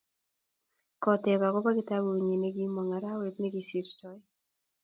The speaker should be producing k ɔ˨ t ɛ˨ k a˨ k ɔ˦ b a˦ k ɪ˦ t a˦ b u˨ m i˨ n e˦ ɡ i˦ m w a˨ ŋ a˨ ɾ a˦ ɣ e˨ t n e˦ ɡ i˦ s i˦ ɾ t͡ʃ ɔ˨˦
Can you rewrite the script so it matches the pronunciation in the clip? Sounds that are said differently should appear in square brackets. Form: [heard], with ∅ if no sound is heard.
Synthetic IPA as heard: k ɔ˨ t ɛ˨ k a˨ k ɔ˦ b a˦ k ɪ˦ t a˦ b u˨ [ɲ] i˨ n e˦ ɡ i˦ m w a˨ ŋ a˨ ɾ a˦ [w] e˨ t n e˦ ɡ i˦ s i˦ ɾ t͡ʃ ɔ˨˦